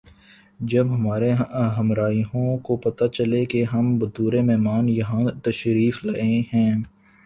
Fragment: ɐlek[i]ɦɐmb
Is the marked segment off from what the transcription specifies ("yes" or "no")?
yes